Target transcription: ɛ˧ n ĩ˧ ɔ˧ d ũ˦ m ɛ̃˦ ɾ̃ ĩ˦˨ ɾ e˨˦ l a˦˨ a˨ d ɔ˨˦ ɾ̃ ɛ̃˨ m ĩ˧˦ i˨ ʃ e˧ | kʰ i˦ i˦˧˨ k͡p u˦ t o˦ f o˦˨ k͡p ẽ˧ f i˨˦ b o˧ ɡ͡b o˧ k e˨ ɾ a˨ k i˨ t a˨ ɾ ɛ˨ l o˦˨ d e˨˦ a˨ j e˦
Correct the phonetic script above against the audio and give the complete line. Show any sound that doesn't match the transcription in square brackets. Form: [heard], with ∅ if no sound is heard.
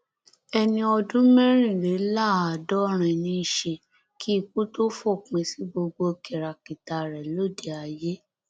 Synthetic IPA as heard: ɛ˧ n ĩ˧ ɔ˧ d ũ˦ m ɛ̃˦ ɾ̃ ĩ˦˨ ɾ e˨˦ l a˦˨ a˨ d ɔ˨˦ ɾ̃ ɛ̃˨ [n] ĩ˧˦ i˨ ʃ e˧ | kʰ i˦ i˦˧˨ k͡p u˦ t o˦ f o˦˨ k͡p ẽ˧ [s] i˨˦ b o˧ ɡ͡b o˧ k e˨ ɾ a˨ k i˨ t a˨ ɾ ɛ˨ l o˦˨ d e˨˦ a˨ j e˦